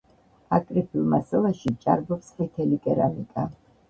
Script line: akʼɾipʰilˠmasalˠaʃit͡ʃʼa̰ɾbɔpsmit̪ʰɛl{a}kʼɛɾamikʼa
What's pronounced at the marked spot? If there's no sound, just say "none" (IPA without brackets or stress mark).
i